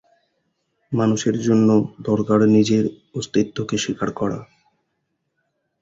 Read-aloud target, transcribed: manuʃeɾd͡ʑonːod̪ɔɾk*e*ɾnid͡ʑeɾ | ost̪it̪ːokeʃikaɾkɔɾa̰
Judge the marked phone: incorrect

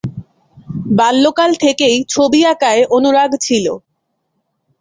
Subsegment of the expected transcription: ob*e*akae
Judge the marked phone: incorrect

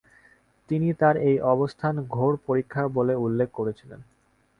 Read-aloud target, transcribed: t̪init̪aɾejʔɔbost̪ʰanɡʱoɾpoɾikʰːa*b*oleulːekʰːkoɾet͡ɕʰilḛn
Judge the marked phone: correct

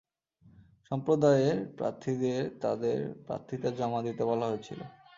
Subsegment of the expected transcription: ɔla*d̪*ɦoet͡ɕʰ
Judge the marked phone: incorrect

